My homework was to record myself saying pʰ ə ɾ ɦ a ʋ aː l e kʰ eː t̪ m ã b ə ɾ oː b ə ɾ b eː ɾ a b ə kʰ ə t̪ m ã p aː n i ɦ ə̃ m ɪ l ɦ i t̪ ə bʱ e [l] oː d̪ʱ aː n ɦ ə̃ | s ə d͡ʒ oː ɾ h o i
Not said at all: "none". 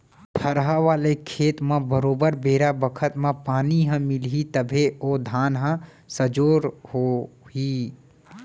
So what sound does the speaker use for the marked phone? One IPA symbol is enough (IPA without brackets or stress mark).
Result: none